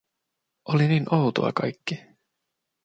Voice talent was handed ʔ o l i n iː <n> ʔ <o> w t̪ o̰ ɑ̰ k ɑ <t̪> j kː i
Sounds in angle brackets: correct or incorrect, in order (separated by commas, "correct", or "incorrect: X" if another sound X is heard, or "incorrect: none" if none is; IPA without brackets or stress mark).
correct, correct, incorrect: none